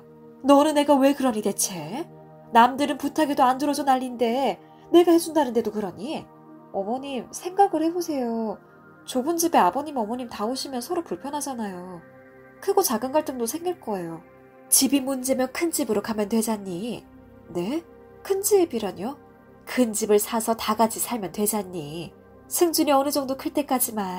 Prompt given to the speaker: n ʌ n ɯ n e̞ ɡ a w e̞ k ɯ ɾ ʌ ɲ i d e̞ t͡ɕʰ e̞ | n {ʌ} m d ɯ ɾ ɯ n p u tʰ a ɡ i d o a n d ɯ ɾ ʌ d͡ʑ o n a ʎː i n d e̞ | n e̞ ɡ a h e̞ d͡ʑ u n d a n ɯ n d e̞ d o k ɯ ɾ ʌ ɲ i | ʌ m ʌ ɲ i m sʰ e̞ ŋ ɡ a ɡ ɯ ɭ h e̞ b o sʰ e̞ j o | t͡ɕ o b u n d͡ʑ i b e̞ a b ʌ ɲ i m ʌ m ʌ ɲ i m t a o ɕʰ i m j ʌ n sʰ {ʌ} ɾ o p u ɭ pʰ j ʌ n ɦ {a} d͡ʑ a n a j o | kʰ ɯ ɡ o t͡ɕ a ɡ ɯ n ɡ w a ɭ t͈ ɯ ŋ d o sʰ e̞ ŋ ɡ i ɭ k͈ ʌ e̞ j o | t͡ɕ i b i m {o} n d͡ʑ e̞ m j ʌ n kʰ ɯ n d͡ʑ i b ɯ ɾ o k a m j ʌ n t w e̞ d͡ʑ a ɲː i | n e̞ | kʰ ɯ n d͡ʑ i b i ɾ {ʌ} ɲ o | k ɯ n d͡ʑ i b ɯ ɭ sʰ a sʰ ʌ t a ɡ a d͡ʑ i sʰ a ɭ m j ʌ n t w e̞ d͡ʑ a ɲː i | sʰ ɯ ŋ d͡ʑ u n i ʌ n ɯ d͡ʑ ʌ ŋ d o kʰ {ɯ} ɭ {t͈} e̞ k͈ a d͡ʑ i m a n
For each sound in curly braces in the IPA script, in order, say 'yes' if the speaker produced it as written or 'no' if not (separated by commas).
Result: no, yes, yes, no, yes, yes, yes